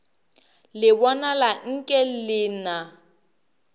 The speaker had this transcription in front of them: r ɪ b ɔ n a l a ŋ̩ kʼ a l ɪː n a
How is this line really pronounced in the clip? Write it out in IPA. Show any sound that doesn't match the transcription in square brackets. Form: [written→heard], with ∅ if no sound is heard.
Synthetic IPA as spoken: [r→l] ɪ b ɔ n a l a ŋ̩ kʼ [a→ɛ] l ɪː n a